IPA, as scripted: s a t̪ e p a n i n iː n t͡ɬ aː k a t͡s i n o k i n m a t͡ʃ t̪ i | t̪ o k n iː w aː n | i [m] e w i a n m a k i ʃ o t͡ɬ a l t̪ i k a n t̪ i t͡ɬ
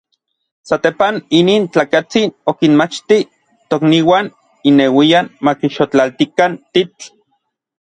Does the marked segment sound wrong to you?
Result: yes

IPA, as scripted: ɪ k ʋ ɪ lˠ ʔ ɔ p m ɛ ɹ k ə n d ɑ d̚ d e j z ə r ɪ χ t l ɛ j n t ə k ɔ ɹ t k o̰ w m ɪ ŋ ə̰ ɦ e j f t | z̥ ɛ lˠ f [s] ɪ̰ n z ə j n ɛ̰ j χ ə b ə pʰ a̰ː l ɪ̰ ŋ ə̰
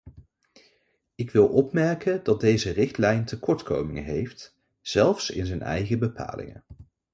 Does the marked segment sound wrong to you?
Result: no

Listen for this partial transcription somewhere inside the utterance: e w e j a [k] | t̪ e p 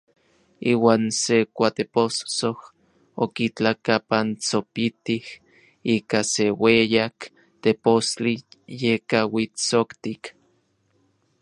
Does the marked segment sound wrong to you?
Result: no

